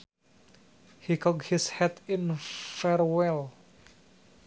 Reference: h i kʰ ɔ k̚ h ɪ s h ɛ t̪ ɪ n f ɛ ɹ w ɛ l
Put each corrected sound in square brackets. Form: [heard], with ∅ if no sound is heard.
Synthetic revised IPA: h i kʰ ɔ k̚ h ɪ s h ɛ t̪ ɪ n f ɛ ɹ w ɛ l